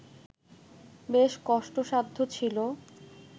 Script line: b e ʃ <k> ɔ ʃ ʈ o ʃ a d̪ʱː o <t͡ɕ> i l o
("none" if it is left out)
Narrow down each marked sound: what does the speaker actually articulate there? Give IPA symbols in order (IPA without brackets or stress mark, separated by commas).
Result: k, t͡ɕʰ